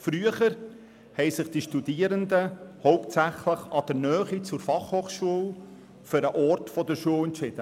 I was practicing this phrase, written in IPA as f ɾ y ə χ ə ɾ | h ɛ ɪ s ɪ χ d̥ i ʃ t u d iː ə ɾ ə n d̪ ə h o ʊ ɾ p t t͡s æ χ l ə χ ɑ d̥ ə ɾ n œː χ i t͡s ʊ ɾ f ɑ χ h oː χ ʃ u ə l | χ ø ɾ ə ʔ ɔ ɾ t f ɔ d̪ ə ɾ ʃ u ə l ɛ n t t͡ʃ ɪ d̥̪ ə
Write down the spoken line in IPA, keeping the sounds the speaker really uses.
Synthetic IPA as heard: f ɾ y ə χ ə ɾ | h ɛ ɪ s ɪ χ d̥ i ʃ t u d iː ə ɾ ə n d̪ ə h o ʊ p t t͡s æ χ l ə χ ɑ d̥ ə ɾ n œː χ i t͡s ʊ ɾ f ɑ χ h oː χ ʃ u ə l | f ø ɾ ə ʔ ɔ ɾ t f ɔ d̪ ə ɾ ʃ u ə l ɛ n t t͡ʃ ɪ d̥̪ ə